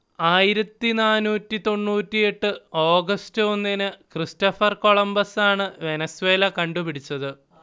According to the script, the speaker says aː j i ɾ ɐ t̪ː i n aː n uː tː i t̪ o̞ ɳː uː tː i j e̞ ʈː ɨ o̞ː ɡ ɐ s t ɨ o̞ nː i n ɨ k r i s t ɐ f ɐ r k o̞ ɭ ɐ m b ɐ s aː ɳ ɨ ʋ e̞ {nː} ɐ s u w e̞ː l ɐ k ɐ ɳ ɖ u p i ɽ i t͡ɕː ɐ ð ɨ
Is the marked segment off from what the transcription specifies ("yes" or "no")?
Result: yes